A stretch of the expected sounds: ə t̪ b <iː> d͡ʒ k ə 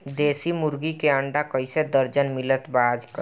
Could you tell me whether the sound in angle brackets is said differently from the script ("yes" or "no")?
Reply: yes